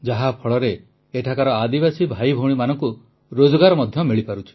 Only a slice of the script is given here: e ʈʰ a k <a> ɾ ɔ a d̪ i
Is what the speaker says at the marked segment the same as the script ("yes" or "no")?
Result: yes